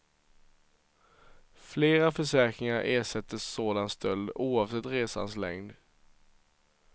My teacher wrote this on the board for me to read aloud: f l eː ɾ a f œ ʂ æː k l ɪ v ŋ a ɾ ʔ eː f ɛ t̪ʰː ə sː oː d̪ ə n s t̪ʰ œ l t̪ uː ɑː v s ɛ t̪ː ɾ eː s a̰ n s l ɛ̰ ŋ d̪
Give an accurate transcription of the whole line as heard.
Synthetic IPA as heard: f l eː ɾ a f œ ʂ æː k ɾ ɪ ŋ a ɾ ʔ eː ʂ ɛ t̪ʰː ə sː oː d̪ a n s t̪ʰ œ l d̪ uː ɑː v s ɛ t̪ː ɾ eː s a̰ n s l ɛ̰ ŋ d̪